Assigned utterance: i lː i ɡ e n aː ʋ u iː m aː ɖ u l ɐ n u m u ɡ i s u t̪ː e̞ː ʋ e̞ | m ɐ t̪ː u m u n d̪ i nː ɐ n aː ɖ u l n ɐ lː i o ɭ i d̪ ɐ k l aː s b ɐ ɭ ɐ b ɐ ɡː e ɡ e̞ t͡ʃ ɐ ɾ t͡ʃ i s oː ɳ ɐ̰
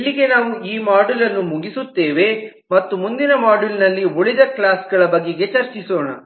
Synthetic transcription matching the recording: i lː i ɡ e n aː ʋ u iː m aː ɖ u l ɐ nː u m u ɡ i s u t̪ː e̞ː ʋ e̞ | m ɐ t̪ː u m u n d̪ i n ɐ m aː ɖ u l n ɐ lː i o ɭ i d̪ ɐ k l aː s ɡ ɐ ɭ ɐ b ɐ ɡː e ɡ e̞ t͡ʃ ɐ ɾ t͡ʃ i s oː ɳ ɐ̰